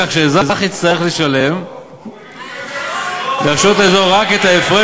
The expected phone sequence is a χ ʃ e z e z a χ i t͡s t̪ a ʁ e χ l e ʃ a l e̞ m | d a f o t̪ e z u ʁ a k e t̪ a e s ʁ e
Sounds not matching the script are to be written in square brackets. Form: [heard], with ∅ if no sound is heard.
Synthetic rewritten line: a χ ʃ e z [a] z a χ i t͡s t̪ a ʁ e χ l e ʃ a l e̞ m | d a [ʃ] o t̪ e z [o] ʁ a k e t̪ a e [f] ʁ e